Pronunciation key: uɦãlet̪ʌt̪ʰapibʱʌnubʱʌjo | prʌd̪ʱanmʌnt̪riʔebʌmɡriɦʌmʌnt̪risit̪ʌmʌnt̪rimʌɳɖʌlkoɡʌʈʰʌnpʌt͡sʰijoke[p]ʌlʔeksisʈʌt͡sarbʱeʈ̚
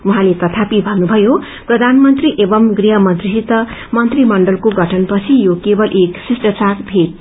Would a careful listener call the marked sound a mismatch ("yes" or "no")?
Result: yes